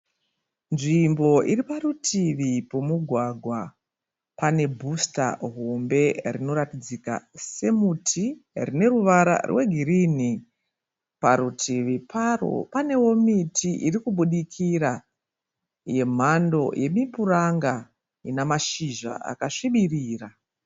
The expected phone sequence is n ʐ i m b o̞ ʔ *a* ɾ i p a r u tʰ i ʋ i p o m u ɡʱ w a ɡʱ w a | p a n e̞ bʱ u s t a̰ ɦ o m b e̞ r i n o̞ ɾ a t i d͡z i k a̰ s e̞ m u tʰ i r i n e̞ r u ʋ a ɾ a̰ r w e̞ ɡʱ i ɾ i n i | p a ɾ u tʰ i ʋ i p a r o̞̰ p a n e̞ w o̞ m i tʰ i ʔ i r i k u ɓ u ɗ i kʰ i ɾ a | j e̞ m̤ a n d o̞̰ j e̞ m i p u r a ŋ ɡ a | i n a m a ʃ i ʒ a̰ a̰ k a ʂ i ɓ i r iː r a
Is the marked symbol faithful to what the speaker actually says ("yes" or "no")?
no